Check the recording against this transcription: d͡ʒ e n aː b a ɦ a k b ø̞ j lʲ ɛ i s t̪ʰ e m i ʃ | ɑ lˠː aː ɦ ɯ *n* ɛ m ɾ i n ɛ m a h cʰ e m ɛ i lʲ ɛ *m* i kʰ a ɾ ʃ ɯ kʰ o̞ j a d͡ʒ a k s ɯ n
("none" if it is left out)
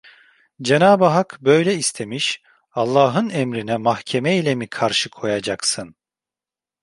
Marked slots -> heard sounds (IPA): n, m

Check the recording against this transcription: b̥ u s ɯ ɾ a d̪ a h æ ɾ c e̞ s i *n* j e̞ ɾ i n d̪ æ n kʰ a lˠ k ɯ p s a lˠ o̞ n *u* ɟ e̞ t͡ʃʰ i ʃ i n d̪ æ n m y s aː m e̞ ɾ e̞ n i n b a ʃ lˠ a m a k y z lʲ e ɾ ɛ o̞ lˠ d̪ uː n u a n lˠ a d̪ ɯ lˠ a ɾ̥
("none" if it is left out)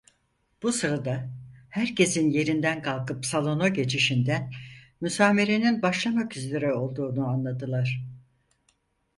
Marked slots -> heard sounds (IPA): n, o

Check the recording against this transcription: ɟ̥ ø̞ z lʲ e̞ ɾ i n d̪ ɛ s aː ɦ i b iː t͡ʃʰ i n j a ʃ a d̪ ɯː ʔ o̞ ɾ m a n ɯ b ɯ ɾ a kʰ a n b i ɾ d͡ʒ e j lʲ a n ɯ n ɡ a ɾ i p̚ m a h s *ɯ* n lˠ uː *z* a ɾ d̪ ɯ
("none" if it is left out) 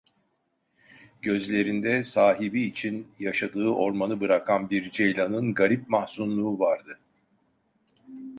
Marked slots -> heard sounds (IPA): u, v

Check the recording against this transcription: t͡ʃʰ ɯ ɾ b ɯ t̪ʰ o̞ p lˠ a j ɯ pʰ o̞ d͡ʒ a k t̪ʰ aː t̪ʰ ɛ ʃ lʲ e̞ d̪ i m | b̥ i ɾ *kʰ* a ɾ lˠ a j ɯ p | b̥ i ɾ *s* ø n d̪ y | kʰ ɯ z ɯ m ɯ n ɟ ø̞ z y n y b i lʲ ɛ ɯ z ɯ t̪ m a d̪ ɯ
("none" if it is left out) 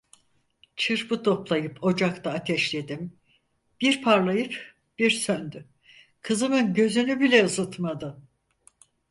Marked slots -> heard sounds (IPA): pʰ, s

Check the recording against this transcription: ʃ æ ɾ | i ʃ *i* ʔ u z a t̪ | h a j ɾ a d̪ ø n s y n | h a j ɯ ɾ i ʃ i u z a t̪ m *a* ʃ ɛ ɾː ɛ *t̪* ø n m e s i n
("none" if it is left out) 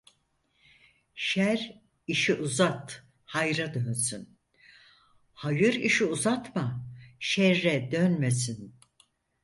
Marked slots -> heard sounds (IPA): i, a, d̪

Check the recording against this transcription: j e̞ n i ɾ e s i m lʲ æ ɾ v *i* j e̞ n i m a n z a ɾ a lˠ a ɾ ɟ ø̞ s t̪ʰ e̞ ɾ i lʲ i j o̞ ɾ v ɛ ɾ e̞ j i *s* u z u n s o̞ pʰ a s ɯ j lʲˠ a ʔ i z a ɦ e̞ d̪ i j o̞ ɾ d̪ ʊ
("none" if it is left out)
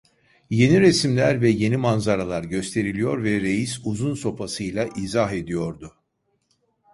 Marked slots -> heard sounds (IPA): ɛ, s

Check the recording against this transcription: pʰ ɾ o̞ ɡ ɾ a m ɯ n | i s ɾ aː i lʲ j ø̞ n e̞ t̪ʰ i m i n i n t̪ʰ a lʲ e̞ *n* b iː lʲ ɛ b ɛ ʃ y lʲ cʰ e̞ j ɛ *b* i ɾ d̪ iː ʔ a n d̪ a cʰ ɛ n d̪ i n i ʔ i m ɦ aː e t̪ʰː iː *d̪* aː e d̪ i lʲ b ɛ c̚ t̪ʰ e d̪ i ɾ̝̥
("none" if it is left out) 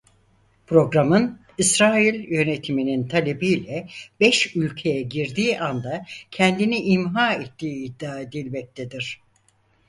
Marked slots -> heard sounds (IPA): none, ɟ, d̪ː

